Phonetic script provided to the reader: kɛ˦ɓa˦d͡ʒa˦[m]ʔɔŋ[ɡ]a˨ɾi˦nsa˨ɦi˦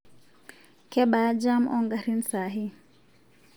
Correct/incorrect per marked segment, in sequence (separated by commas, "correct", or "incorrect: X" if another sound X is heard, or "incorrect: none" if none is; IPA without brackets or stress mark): correct, correct